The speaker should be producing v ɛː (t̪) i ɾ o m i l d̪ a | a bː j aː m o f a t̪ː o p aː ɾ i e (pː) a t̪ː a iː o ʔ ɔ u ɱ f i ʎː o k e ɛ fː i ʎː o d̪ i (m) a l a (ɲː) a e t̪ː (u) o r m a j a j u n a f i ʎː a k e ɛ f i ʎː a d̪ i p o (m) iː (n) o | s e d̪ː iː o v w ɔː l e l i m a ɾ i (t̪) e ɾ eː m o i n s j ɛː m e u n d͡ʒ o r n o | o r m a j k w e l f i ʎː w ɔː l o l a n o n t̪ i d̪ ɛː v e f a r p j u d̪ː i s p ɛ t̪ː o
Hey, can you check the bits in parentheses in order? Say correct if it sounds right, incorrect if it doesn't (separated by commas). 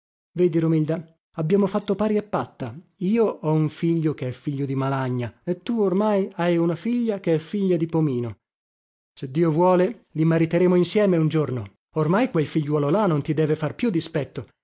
incorrect, correct, correct, correct, correct, correct, correct, correct